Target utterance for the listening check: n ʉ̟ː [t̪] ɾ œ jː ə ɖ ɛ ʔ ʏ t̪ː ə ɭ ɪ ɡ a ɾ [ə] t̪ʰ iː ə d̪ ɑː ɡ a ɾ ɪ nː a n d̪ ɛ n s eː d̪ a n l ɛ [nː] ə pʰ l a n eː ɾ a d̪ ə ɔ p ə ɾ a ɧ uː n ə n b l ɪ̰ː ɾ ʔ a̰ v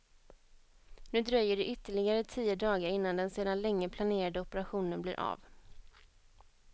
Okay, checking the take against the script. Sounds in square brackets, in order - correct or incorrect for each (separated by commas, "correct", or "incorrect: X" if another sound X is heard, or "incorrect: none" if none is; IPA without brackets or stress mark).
incorrect: d̪, correct, incorrect: ŋː